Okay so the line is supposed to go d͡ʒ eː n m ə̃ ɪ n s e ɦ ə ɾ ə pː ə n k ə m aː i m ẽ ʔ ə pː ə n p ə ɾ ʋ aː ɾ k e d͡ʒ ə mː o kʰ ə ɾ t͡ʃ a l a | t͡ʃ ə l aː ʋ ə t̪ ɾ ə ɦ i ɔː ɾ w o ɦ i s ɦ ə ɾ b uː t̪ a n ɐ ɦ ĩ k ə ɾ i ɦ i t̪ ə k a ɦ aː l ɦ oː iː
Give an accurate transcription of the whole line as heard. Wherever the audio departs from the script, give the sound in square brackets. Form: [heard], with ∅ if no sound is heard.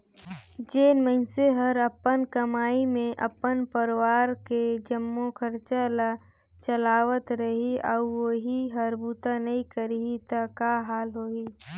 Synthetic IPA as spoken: d͡ʒ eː n m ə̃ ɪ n s e ɦ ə ɾ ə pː ə n k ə m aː i m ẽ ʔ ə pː ə n p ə ɾ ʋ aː ɾ k e d͡ʒ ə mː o kʰ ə ɾ t͡ʃ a l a | t͡ʃ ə l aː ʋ ə t̪ ɾ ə ɦ i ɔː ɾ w o ɦ i [∅] ɦ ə ɾ b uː t̪ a n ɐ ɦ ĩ k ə ɾ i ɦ i t̪ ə k a ɦ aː l ɦ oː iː

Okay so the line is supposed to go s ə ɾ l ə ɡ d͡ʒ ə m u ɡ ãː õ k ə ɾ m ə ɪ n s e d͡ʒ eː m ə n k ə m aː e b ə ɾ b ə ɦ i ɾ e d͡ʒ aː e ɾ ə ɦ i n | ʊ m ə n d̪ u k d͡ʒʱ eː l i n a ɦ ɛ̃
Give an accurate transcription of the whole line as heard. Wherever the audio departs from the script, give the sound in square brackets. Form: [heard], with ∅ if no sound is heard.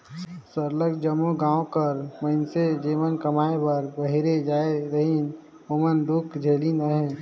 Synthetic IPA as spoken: s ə ɾ l ə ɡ d͡ʒ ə m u ɡ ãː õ k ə ɾ m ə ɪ n s e d͡ʒ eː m ə n k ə m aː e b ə ɾ b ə ɦ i ɾ e d͡ʒ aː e ɾ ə ɦ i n | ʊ m ə n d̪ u k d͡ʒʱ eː l i n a ɦ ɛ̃

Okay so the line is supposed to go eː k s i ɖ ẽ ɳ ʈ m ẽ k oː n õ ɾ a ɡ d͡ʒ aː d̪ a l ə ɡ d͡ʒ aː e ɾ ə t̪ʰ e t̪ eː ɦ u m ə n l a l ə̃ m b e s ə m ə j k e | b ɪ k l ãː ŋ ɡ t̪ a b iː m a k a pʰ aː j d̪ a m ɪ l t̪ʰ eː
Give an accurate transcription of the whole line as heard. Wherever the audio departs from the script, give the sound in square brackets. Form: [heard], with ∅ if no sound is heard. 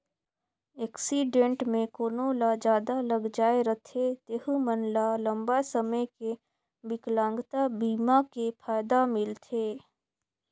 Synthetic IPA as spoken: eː k s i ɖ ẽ ɳ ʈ m ẽ k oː n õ [l] a [∅] d͡ʒ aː d̪ a l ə ɡ d͡ʒ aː e ɾ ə t̪ʰ e t̪ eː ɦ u m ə n l a l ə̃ m b [a] s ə m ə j k e | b ɪ k l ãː ŋ ɡ t̪ a b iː m a k [e] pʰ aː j d̪ a m ɪ l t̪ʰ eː

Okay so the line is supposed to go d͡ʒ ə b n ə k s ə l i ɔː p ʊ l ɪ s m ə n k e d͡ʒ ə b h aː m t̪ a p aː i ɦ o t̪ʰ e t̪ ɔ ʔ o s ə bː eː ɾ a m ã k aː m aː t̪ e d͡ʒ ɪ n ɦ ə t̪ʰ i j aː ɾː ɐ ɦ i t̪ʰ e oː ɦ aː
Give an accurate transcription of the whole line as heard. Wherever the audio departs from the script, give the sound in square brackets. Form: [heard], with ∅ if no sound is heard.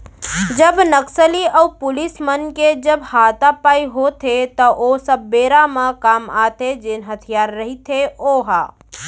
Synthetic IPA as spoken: d͡ʒ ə b n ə k s ə l i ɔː p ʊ l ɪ s m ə n k e d͡ʒ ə b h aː [∅] t̪ a p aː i ɦ o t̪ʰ e t̪ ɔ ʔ o s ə bː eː ɾ a m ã k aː m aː t̪ e d͡ʒ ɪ n ɦ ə t̪ʰ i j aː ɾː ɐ ɦ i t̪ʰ e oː ɦ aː

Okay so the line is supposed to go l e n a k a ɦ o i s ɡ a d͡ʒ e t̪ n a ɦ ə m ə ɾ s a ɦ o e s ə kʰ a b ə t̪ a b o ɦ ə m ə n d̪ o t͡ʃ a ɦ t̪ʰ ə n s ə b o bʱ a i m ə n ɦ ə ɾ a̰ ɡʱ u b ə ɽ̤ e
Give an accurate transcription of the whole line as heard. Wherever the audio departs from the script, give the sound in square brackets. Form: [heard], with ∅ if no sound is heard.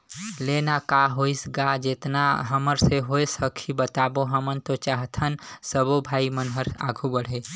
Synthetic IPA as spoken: l e n a k a ɦ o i s ɡ a d͡ʒ e t̪ n a ɦ ə m ə ɾ s [e] ɦ o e s ə kʰ [i] b ə t̪ a b o ɦ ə m ə n [t̪] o t͡ʃ a ɦ t̪ʰ ə n s ə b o bʱ a i m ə n ɦ ə ɾ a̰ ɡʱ u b ə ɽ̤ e

